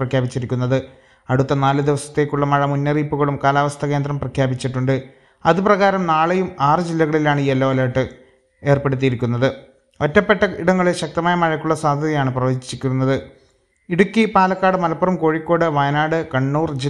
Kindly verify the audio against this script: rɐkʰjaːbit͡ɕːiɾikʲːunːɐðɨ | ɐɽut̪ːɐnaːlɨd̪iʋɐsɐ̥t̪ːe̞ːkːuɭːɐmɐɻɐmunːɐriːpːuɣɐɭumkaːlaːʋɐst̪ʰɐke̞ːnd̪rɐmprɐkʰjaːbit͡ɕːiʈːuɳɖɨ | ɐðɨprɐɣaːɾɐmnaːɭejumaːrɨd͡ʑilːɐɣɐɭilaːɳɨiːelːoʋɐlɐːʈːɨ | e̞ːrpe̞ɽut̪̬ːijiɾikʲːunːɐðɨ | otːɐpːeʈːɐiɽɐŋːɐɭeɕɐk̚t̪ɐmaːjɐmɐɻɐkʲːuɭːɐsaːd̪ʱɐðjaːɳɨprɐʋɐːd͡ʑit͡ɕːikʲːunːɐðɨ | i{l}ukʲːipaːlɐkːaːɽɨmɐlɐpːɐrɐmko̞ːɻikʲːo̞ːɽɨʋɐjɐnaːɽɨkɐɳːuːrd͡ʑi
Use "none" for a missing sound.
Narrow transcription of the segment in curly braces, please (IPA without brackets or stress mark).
ɽ